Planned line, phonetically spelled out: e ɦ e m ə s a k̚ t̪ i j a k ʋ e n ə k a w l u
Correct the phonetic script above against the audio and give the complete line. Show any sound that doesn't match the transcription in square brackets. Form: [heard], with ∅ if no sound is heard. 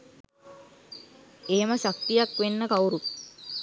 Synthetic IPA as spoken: e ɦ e m ə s a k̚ t̪ i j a k ʋ e [nː] ə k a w [ɾ] u